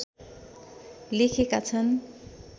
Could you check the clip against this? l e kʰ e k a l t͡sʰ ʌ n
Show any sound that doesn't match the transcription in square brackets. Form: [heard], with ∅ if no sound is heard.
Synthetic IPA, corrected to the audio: l e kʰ e k a [∅] t͡sʰ ʌ n